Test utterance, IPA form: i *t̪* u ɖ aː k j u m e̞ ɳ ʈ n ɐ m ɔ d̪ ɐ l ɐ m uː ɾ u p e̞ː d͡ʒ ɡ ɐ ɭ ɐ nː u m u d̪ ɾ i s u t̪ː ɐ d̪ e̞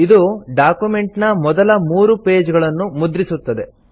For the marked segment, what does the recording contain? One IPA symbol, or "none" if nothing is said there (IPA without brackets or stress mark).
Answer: d̪